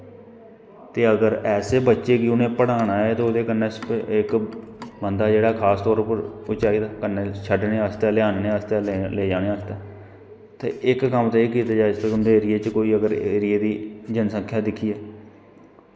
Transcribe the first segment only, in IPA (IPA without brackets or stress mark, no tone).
t̪